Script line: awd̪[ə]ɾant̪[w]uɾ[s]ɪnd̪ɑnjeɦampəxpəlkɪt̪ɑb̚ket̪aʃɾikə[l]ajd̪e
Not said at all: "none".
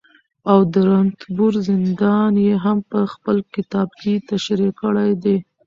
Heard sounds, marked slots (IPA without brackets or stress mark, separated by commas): ə, b, z, ɽ